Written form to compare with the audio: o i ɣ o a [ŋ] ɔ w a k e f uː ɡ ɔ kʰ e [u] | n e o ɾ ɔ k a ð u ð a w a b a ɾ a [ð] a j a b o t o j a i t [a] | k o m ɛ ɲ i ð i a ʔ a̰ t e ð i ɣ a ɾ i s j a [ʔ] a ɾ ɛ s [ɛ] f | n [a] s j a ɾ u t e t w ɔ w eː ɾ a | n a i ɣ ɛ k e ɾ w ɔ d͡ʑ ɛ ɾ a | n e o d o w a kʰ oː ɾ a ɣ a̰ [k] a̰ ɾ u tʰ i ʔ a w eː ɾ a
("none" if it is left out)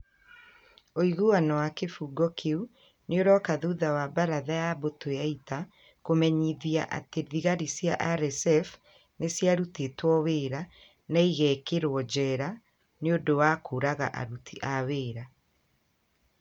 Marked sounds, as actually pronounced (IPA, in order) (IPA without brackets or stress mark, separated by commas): n, u, ð, a, ʔ, ɛ, e, ʔ